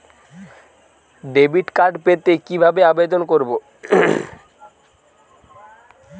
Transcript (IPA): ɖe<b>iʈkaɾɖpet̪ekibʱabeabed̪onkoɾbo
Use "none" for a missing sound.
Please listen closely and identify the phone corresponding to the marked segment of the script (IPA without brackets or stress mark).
b